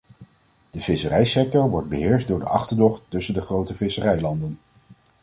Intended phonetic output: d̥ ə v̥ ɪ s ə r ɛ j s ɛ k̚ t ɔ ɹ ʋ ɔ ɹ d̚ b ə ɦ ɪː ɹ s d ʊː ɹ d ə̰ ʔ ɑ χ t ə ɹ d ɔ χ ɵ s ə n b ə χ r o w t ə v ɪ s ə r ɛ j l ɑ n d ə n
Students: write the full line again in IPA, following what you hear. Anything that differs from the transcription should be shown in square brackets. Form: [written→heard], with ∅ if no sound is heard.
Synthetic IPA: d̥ ə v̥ ɪ s ə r ɛ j s ɛ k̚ t ɔ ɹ ʋ ɔ ɹ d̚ b ə ɦ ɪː ɹ s d ʊː ɹ d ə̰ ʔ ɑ χ t ə ɹ d ɔ χ ɵ s ə n [b→d] ə χ r o w t ə v ɪ s ə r ɛ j l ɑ n d ə n